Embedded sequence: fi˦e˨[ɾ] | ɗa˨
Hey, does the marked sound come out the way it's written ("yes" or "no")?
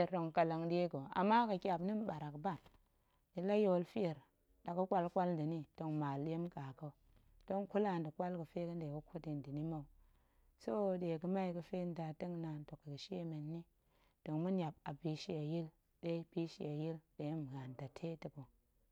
yes